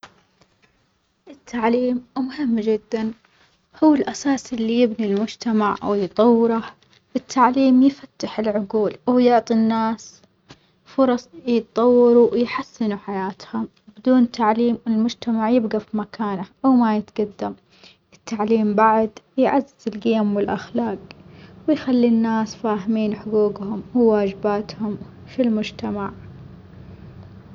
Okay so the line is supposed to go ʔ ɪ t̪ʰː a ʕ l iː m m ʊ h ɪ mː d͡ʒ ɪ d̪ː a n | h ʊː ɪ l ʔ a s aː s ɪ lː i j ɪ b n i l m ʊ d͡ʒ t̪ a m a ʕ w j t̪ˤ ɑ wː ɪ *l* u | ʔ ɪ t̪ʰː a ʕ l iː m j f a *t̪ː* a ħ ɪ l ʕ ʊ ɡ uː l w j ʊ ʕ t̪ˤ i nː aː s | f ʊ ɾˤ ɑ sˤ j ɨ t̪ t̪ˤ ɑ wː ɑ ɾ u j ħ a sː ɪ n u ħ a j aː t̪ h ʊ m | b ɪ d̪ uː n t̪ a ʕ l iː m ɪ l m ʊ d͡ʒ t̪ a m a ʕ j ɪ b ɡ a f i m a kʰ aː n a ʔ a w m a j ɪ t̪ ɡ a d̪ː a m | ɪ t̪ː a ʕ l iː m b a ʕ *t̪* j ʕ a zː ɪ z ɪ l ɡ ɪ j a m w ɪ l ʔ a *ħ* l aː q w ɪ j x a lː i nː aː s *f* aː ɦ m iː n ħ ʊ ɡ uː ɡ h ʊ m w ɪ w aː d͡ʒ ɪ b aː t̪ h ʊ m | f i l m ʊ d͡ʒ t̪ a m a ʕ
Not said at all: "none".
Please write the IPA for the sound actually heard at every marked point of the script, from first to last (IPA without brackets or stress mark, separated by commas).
ɾ, t̪ː, d̪, x, f